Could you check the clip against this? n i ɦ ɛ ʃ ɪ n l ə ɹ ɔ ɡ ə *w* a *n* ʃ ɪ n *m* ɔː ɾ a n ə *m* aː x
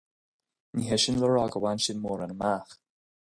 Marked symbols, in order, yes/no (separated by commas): yes, yes, yes, yes